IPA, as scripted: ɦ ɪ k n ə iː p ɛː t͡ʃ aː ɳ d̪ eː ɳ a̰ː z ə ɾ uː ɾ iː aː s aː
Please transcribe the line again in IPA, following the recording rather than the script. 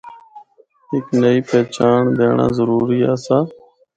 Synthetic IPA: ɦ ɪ k n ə iː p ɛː t͡ʃ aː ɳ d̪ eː ɳ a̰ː z ə ɾ uː ɾ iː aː s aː

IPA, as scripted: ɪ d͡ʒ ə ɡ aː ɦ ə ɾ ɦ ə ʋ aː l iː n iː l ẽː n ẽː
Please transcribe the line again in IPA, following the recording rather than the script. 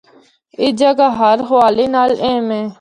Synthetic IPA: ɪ d͡ʒ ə ɡ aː ɦ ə ɾ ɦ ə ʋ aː l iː n aː l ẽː m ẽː

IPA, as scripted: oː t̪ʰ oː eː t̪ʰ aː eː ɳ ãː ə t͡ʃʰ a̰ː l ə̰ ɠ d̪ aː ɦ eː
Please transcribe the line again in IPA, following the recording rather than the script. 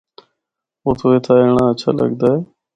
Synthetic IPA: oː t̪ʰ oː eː t̪ʰ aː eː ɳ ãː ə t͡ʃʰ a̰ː l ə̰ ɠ d̪ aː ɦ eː

